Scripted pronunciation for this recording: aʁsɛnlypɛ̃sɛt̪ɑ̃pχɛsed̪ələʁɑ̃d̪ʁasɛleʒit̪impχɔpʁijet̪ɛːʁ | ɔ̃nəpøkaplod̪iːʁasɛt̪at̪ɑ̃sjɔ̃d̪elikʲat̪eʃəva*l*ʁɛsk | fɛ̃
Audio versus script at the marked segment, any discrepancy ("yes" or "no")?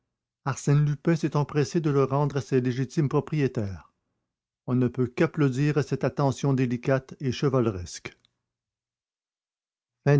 no